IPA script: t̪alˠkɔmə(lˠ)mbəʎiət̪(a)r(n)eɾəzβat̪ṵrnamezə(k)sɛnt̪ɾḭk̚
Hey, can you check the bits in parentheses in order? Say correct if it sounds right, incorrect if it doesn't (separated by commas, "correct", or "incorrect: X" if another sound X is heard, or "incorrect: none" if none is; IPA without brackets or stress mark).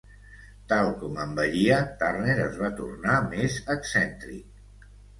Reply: incorrect: none, correct, correct, correct